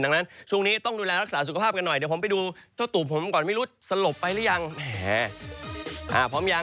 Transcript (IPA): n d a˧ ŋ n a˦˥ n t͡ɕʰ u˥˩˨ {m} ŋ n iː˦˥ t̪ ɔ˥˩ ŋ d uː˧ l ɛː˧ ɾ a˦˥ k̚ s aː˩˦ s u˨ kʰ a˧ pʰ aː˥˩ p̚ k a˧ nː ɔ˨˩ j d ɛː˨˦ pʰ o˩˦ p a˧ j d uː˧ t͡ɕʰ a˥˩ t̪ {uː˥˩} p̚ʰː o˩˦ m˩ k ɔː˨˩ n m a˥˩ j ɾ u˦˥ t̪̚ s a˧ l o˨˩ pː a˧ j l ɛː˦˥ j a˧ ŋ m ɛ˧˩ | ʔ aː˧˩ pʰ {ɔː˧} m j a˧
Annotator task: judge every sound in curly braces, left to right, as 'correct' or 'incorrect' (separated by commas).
incorrect, incorrect, incorrect